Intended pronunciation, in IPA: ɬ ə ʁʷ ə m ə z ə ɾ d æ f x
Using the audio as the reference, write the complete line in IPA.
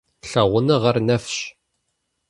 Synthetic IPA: ɬ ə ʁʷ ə n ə ʁ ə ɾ n æ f ʃ